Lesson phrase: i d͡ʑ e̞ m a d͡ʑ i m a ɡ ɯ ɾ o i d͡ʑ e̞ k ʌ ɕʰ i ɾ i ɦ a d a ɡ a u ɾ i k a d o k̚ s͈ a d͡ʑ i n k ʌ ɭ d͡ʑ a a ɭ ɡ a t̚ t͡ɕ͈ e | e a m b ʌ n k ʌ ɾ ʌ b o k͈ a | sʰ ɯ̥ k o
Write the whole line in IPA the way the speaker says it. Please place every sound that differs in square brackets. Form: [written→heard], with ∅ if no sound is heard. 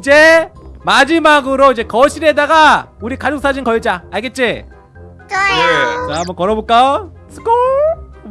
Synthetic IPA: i d͡ʑ e̞ m a d͡ʑ i m a ɡ ɯ ɾ o i d͡ʑ e̞ k ʌ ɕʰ i ɾ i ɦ [a→e] d a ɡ a u ɾ i k a [d→d͡ʑ] o k̚ s͈ a d͡ʑ i n k ʌ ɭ d͡ʑ a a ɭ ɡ [a→e] t̚ t͡ɕ͈ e | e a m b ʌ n k ʌ ɾ ʌ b o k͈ a | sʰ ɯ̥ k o

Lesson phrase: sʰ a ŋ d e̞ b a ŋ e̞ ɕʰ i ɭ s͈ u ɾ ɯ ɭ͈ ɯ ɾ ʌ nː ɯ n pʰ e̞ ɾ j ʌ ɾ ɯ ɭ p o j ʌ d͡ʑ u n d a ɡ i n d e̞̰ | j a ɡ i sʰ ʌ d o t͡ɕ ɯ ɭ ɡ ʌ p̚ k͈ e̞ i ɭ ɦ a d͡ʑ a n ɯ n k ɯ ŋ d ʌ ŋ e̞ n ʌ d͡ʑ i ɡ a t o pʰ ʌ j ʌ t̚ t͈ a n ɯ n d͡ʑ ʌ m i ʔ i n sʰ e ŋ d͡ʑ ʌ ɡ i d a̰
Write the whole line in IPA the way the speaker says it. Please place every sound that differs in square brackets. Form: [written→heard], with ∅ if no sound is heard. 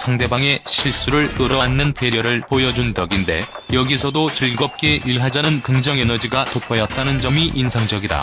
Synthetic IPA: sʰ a ŋ d e̞ b a ŋ e̞ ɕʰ i ɭ s͈ u ɾ ɯ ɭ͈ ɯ ɾ ʌ nː ɯ n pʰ e̞ ɾ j ʌ ɾ ɯ ɭ p o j ʌ d͡ʑ u n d [a→ʌ] ɡ i n d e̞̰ | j [a→ʌ] ɡ i sʰ ʌ d o t͡ɕ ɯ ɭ ɡ ʌ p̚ k͈ e̞ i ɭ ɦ a d͡ʑ a n ɯ n k ɯ ŋ [d→d͡ʑ] ʌ ŋ e̞ n ʌ d͡ʑ i ɡ a t o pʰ ʌ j ʌ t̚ t͈ a n ɯ n d͡ʑ ʌ m i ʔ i n sʰ [e→a] ŋ d͡ʑ ʌ ɡ i d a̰

